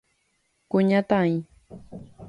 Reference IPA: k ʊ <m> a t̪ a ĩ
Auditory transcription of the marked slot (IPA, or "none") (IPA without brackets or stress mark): ɲ